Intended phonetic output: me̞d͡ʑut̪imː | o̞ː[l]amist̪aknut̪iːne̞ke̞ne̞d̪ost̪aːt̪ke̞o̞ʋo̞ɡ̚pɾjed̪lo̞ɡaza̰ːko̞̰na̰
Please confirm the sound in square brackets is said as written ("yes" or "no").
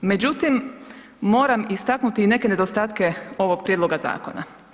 no